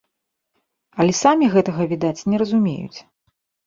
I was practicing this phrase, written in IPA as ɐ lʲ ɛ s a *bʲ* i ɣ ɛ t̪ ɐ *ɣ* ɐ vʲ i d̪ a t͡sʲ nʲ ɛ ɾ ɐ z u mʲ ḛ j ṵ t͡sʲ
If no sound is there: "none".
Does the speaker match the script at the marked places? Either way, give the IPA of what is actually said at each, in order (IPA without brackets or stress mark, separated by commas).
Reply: mʲ, ɣ